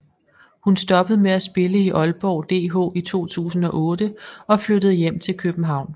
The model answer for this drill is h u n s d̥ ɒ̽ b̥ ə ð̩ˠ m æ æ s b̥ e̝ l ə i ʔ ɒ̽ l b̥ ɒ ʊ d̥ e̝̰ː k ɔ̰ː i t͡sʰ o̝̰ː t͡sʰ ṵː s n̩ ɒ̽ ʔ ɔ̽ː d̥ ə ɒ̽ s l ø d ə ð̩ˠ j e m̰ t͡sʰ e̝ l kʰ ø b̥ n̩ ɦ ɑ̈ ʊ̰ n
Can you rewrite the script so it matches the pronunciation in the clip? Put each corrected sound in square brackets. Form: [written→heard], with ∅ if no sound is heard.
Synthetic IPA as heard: h u n s d̥ ɒ̽ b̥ ə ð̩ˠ m [æ→e] æ s b̥ e̝ l ə i ʔ ɒ̽ l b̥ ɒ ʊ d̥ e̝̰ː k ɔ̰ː i t͡sʰ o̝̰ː t͡sʰ ṵː s n̩ ɒ̽ ʔ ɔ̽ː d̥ ə ɒ̽ [s→f] l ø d ə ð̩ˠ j e m̰ t͡sʰ e̝ l kʰ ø b̥ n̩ ɦ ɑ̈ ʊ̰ n